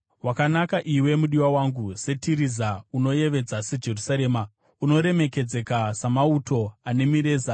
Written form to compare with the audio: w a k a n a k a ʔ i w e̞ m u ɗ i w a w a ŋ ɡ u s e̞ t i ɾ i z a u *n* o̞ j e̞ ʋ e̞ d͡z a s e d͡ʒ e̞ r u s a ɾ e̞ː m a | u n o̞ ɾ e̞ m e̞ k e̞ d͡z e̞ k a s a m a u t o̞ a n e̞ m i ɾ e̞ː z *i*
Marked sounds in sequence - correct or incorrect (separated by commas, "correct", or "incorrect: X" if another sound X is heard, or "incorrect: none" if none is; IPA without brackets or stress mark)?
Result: correct, incorrect: a